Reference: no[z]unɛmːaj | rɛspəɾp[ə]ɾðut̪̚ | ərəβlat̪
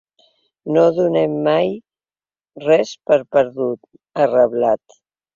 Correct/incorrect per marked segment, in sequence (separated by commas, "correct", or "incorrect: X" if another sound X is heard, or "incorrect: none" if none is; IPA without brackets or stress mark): incorrect: ð, correct